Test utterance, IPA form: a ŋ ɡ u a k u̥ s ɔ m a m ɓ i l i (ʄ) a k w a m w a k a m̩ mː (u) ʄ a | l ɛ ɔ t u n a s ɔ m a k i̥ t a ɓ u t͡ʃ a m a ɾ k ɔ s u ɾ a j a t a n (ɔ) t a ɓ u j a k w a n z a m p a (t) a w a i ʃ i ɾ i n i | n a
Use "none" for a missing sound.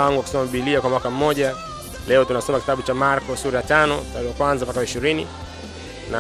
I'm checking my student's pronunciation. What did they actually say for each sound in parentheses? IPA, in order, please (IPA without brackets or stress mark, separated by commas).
none, ɔ, ɔ, k